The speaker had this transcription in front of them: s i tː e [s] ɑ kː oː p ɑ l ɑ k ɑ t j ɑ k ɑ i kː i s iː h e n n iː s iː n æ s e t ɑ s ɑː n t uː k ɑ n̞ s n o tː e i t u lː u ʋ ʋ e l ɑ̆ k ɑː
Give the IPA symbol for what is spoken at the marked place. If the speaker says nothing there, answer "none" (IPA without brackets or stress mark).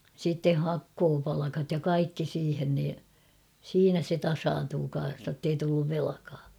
h